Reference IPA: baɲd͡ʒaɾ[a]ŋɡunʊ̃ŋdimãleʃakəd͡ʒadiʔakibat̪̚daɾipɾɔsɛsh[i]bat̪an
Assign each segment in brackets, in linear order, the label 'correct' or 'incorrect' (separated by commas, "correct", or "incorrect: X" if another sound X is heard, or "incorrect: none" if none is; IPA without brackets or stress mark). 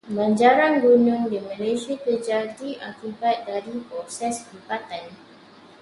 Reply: correct, correct